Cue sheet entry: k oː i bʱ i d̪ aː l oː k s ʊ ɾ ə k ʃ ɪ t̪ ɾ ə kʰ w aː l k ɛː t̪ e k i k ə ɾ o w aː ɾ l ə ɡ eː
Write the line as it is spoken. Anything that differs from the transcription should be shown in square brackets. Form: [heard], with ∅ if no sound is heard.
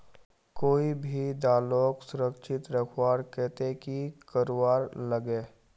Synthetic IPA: k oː i bʱ i d̪ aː l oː k s ʊ ɾ ə k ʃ ɪ t̪ ɾ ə kʰ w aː [ɾ] k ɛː t̪ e k i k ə ɾ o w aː ɾ l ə ɡ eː